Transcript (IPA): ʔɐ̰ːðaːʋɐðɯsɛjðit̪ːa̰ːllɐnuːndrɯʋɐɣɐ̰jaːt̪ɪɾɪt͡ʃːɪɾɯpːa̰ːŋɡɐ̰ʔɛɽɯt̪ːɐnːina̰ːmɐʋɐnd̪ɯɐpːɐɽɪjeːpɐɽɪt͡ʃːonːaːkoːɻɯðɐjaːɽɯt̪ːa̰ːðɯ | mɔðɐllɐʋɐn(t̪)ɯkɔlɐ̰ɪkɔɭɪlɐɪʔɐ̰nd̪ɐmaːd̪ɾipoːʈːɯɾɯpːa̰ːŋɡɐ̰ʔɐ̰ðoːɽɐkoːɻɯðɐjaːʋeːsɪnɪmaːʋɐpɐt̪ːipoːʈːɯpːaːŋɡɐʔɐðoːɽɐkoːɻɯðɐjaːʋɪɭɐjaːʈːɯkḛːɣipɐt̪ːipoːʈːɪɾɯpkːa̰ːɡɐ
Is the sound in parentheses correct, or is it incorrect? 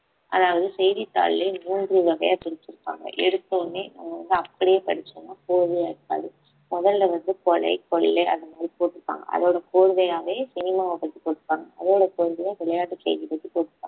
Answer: incorrect